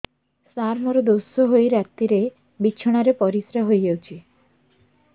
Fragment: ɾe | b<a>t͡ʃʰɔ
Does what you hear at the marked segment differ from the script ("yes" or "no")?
yes